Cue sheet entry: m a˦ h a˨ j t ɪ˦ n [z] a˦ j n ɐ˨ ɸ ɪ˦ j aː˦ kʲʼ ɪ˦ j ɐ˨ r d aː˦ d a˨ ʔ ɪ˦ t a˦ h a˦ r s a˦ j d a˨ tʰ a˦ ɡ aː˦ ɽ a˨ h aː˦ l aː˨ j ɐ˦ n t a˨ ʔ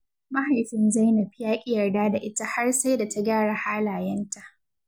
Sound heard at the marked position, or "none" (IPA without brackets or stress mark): z